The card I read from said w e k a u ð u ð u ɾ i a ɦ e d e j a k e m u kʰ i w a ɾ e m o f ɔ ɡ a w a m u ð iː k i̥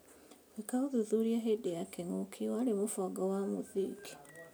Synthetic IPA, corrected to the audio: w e k a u ð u ð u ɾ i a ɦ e d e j a k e ŋ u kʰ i w a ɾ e m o f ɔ ɡ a w a m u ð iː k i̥